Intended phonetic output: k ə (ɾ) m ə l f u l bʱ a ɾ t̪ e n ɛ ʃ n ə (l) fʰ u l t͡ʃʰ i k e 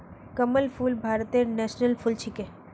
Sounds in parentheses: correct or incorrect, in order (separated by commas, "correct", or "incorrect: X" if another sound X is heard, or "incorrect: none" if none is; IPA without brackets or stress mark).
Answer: incorrect: none, correct